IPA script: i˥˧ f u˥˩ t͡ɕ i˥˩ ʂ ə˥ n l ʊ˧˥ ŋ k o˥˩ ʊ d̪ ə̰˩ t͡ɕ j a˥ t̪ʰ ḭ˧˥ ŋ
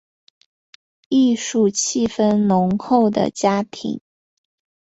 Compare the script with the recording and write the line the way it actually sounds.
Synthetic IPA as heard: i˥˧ ʂ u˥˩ t͡ɕʰ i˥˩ f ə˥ n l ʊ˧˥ ŋ x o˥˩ ʊ d̪ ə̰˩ t͡ɕ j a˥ t̪ʰ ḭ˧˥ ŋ

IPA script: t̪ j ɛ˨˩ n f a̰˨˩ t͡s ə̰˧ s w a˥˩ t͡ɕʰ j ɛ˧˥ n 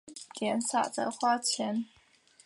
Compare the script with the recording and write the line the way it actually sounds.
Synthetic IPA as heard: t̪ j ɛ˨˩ n s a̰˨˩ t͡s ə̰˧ x w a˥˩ t͡ɕʰ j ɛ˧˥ n

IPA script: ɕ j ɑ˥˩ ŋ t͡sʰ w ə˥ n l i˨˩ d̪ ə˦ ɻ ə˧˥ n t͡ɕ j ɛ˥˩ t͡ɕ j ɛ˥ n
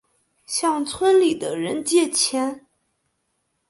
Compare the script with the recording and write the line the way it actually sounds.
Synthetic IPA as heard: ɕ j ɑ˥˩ ŋ t͡sʰ w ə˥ n l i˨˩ d̪ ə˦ ɻ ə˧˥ n t͡ɕ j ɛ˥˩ t͡ɕʰ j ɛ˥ n

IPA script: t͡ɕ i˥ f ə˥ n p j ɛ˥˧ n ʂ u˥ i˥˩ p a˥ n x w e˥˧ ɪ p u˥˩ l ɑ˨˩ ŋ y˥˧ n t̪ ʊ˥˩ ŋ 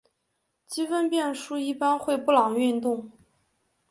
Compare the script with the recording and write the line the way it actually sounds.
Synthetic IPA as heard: t͡ɕ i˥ f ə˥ n p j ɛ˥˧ n ʂ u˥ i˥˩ p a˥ n x w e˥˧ ɪ p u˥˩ l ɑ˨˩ ŋ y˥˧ n t̪ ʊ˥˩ ŋ

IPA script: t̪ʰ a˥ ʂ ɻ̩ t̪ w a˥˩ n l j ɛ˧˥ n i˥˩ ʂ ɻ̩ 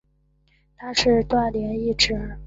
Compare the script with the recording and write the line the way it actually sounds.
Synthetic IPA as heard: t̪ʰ a˥ ʂ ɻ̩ t̪ w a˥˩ n l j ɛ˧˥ n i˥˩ ʈ͡ʂ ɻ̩

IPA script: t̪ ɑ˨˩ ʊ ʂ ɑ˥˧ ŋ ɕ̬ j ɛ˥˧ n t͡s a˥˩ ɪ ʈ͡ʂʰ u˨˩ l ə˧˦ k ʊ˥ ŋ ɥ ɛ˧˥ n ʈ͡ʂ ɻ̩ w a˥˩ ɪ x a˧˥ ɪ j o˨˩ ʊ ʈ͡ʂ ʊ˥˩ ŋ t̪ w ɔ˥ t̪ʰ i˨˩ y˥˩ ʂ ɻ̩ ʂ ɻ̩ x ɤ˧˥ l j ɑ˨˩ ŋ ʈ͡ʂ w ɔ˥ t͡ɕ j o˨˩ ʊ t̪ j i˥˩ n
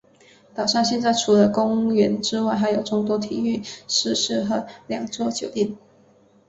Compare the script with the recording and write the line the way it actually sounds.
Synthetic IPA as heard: t̪ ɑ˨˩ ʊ ʂ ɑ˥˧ ŋ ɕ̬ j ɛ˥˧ n t͡s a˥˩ ɪ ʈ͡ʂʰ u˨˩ l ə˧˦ k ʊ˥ ŋ ɥ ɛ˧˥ n ʈ͡ʂ ɻ̩ w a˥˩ ɪ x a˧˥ ɪ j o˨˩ ʊ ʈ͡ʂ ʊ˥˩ ŋ t̪ w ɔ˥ t̪ʰ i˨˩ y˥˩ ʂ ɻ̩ ʂ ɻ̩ x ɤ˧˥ l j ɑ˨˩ ŋ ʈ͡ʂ w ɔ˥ t͡ɕ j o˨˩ ʊ t̪ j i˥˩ n

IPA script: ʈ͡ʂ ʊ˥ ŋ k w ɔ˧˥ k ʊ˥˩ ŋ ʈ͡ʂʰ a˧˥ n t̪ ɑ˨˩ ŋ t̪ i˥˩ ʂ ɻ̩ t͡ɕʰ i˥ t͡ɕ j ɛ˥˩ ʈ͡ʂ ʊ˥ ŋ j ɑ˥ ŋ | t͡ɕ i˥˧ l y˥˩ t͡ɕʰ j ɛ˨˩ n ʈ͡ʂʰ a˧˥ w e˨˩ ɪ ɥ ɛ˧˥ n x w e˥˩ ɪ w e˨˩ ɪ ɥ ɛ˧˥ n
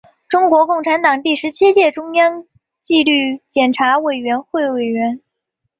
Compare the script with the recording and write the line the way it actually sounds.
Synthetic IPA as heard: ʈ͡ʂ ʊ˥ ŋ k w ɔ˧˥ k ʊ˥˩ ŋ ʈ͡ʂʰ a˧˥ n t̪ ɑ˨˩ ŋ t̪ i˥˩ ʂ ɻ̩ t͡ɕʰ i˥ t͡ɕ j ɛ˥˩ ʈ͡ʂ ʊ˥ ŋ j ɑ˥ ŋ | t͡ɕ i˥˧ l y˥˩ t͡ɕ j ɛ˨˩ n ʈ͡ʂʰ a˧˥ w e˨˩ ɪ ɥ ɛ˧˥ n x w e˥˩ ɪ w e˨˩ ɪ ɥ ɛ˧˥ n

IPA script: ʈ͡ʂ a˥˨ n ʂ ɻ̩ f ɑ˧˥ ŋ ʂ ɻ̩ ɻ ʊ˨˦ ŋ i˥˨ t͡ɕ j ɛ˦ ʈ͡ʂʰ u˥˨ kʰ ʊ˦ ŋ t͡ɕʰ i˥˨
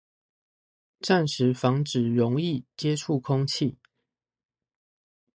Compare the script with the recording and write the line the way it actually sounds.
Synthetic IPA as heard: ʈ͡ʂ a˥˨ n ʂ ɻ̩ f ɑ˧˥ ŋ ʈ͡ʂ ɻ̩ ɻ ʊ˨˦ ŋ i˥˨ t͡ɕ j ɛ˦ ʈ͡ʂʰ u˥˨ kʰ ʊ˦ ŋ t͡ɕʰ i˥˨

